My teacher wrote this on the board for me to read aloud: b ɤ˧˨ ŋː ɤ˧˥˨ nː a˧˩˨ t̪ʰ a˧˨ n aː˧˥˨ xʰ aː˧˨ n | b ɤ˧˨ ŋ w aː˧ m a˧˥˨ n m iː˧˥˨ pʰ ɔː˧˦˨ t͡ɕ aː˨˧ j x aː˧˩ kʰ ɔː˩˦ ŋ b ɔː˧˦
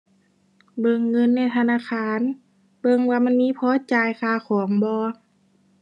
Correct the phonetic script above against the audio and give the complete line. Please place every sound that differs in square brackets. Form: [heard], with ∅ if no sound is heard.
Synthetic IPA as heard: b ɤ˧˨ ŋː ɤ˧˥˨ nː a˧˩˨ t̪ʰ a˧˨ n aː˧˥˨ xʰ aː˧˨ n | b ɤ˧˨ ŋ w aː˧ m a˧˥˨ n m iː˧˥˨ pʰ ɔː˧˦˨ t͡ɕ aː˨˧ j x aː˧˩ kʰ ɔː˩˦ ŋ b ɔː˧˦